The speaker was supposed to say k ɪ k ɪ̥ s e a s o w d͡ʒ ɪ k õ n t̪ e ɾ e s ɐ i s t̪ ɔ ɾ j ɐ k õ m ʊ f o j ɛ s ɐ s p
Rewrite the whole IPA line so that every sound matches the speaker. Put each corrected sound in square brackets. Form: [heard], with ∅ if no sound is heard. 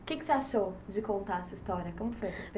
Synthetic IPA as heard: k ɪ k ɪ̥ s e a [ʃ] o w d͡ʒ ɪ k õ n t̪ [a] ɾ [ɛ] s ɐ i s t̪ ɔ ɾ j ɐ k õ m ʊ f o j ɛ s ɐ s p